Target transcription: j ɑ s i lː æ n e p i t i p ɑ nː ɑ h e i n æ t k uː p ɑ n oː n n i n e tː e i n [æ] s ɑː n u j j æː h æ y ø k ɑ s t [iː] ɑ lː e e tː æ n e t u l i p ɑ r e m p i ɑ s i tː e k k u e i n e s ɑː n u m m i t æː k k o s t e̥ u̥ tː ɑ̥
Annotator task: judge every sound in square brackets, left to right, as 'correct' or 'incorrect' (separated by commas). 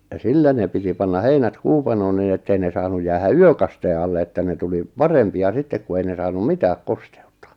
incorrect, incorrect